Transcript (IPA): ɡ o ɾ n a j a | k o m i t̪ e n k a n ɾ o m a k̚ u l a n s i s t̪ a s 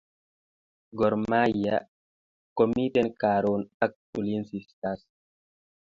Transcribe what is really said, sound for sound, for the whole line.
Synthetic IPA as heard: ɡ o ɾ m a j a | k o m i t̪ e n k a ɾ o n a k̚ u l i n s i s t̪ a s